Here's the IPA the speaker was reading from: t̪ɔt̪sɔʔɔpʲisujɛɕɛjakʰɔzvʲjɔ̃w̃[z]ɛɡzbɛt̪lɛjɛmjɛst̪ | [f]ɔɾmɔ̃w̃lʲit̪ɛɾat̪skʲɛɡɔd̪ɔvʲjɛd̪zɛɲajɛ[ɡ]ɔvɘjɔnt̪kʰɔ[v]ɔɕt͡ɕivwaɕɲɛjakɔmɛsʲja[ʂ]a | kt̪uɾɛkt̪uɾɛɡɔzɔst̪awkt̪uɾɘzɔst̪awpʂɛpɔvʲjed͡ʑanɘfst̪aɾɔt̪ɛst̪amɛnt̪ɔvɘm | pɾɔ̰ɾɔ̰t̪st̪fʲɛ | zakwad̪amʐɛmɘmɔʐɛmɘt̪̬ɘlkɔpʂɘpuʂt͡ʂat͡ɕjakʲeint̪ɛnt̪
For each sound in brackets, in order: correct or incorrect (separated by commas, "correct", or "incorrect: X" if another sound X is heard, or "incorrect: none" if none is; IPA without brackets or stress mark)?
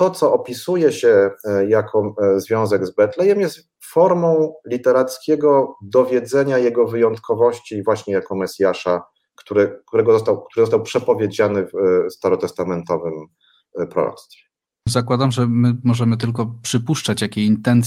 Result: correct, correct, correct, correct, correct